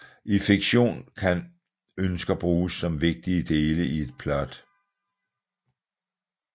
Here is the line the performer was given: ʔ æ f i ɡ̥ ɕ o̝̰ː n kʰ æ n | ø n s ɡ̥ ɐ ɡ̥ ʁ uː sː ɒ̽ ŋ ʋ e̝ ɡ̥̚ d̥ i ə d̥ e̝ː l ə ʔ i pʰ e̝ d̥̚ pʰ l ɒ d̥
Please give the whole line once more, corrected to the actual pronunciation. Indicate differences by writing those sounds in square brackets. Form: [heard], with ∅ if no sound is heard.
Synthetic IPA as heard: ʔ [i] f i ɡ̥ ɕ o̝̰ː n kʰ æ n | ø n s ɡ̥ ɐ [b̥] ʁ uː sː ɒ̽ [m] ʋ e̝ ɡ̥̚ d̥ i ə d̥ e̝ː l ə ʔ i [∅] e̝ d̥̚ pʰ l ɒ d̥